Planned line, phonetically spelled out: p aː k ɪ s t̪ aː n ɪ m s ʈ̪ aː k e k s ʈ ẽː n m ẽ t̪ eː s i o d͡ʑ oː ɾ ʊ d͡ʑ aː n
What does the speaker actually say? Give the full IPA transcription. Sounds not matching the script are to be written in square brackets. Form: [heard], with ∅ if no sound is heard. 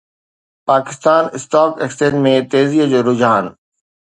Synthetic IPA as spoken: p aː k ɪ s t̪ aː n ɪ [∅] s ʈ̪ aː k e k s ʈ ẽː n m ẽ t̪ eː [z] i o d͡ʑ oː ɾ ʊ d͡ʑ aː n